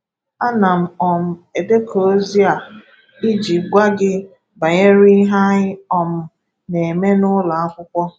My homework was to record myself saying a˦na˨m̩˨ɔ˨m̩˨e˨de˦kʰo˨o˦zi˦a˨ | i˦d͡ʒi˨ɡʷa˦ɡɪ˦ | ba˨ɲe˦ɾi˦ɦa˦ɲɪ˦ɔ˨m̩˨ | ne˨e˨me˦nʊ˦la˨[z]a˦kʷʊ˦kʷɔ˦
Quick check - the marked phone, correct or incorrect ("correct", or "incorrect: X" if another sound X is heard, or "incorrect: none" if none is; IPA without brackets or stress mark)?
incorrect: none